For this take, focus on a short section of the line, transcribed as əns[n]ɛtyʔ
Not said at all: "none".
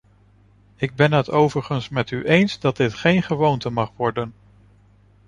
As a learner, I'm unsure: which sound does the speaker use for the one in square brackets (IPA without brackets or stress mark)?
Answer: m